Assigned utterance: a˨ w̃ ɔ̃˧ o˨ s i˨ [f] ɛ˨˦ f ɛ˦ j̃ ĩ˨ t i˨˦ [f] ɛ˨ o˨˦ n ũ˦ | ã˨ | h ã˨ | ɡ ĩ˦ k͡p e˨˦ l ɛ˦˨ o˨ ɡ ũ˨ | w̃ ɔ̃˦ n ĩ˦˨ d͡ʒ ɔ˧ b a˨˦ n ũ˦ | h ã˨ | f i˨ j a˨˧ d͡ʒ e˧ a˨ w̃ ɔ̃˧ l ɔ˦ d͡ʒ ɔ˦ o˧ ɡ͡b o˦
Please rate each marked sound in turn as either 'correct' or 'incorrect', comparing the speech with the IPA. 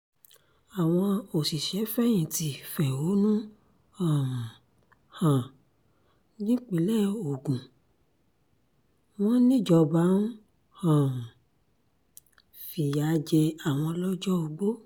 incorrect: ʃ, correct

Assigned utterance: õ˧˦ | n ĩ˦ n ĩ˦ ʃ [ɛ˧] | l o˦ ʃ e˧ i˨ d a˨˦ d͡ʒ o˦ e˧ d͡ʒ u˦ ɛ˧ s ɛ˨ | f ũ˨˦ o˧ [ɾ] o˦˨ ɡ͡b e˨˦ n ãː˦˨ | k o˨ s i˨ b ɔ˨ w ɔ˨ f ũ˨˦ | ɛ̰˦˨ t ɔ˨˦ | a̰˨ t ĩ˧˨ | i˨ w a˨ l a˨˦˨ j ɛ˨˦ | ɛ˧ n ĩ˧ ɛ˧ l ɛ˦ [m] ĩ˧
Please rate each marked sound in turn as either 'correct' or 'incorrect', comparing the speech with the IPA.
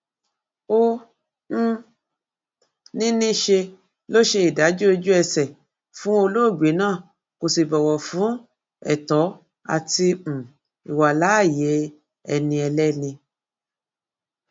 incorrect: e˧, incorrect: l, incorrect: n

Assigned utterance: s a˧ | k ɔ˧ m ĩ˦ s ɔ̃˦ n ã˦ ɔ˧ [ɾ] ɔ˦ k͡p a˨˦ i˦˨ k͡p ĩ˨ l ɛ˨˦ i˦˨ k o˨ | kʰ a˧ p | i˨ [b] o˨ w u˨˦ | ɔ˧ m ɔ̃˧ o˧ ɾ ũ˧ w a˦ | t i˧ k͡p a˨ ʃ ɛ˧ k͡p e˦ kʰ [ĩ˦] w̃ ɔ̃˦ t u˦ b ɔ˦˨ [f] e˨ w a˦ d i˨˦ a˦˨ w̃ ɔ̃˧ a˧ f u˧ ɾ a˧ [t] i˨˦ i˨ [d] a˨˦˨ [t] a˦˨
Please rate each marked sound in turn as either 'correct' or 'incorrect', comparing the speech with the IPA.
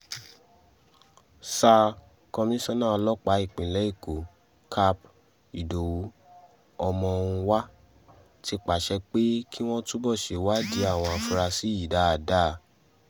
incorrect: l, incorrect: d, incorrect: i˦, incorrect: ʃ, incorrect: s, correct, incorrect: d

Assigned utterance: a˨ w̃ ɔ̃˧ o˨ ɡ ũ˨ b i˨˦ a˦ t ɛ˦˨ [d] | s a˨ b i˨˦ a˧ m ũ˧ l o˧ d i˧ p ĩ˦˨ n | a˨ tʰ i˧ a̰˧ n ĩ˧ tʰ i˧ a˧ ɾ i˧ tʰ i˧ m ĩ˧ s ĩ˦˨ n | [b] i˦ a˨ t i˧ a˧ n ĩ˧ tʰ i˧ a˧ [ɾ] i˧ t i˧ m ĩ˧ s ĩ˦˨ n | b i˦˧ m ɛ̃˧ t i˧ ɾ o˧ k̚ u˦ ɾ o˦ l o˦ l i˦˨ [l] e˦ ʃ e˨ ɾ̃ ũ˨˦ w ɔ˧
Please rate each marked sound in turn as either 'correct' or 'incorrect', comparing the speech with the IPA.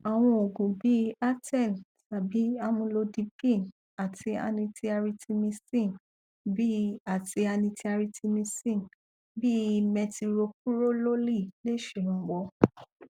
incorrect: n, correct, correct, correct

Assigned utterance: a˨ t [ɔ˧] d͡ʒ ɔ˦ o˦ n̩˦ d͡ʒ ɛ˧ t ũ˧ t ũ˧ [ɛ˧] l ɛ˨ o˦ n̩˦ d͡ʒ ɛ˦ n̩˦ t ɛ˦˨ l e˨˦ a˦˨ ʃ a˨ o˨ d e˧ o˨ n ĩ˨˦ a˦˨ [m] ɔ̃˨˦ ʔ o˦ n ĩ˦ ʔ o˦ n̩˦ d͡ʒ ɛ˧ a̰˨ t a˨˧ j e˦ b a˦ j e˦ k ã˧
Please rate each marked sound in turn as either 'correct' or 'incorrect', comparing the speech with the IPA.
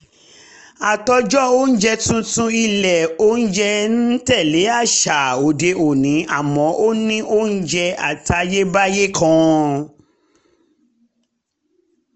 correct, incorrect: i˧, correct

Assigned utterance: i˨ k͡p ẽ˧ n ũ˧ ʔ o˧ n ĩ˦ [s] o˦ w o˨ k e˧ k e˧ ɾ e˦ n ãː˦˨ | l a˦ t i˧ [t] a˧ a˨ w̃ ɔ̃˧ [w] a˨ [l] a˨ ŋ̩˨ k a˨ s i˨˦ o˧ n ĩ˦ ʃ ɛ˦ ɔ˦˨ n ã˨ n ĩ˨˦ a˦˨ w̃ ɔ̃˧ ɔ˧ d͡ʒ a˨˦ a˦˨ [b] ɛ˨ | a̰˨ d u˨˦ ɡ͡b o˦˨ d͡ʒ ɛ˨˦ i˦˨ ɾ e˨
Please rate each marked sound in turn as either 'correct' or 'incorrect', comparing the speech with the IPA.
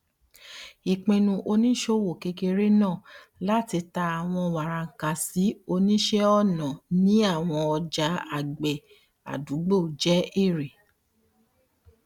incorrect: ʃ, correct, correct, incorrect: ɾ, incorrect: ɡ͡b

